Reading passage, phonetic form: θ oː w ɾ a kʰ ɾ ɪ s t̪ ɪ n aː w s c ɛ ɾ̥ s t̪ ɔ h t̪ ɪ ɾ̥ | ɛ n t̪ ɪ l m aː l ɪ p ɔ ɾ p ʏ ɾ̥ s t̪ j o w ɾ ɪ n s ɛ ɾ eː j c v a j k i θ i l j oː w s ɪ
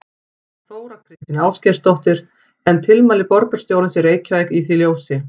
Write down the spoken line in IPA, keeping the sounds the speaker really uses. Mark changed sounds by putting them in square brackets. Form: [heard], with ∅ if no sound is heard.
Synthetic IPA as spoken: θ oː w ɾ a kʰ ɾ ɪ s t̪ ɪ n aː w s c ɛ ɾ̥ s t̪ ɔ h t̪ ɪ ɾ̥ | ɛ n [t̪ʰ] ɪ l m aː l ɪ p ɔ ɾ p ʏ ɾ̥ s t̪ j o w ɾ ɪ n s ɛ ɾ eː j c v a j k i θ i l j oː w s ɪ